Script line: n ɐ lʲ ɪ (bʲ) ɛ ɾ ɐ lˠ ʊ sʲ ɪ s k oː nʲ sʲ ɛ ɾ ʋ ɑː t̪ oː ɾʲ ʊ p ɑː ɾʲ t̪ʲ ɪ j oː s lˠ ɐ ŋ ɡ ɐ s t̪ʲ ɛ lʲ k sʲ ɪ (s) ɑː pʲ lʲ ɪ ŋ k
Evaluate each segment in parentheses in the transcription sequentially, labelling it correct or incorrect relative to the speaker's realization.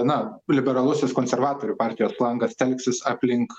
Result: correct, correct

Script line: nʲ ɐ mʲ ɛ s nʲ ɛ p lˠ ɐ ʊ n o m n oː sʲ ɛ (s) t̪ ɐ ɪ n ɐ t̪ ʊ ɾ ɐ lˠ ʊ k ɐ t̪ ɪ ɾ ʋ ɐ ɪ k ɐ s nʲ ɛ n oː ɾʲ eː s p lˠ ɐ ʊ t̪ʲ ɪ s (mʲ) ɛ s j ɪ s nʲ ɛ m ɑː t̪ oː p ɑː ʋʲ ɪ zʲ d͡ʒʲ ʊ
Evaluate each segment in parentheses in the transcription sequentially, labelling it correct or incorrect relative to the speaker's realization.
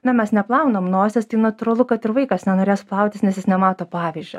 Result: correct, incorrect

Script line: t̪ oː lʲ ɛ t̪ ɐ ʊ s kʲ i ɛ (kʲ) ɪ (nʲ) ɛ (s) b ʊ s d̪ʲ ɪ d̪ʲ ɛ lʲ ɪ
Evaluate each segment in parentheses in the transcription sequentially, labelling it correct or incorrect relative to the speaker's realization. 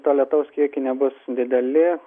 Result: correct, correct, incorrect

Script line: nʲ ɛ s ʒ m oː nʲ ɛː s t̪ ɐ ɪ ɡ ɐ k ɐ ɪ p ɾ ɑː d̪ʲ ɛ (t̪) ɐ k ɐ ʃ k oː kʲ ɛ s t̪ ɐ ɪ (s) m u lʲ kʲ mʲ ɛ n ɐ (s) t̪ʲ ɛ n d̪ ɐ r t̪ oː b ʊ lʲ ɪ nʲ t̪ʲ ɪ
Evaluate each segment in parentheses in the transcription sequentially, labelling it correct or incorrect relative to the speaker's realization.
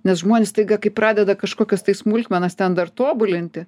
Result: incorrect, correct, correct

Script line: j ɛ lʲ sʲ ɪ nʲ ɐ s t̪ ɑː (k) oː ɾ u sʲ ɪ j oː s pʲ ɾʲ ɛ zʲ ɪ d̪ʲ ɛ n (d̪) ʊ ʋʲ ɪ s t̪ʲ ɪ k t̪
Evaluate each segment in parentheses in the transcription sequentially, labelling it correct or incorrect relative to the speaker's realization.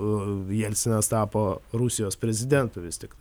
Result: incorrect, incorrect

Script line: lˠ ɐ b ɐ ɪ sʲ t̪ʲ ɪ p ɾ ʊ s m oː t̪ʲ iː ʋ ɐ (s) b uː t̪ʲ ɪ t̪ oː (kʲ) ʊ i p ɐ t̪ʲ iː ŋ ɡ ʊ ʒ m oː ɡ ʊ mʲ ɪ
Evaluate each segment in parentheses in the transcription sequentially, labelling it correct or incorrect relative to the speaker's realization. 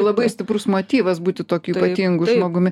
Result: correct, correct

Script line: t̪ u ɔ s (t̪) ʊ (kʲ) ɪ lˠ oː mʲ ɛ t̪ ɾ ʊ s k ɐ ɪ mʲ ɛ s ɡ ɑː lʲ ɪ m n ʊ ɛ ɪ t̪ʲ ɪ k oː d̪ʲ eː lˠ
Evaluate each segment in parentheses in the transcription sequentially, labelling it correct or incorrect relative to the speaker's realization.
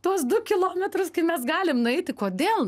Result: incorrect, correct

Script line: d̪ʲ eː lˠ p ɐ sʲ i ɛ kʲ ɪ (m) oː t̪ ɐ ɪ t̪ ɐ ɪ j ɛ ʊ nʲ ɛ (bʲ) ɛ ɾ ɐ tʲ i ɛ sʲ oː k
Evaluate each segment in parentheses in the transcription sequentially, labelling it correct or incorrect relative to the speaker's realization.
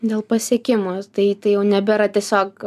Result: correct, correct

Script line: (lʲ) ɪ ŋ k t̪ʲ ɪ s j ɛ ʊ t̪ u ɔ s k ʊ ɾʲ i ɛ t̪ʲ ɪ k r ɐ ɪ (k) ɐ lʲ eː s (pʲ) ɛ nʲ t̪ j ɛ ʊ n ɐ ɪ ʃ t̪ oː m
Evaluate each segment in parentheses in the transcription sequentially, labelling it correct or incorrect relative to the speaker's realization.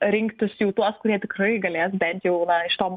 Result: incorrect, incorrect, incorrect

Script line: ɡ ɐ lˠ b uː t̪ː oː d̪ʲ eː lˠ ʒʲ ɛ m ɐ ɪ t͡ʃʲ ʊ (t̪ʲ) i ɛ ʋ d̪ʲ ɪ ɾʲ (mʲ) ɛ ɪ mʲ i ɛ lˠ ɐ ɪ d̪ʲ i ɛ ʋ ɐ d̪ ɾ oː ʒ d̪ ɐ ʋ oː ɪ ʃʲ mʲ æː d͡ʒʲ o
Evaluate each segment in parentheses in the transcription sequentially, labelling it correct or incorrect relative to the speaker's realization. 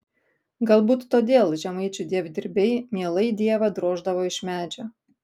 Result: incorrect, incorrect

